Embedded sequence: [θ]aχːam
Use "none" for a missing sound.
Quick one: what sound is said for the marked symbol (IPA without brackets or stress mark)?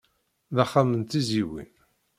ð